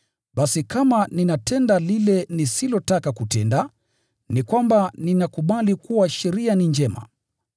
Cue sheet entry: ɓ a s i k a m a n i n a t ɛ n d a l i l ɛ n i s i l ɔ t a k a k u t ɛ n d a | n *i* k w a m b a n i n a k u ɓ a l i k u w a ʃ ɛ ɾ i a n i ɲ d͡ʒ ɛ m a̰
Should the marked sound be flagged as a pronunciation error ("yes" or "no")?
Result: no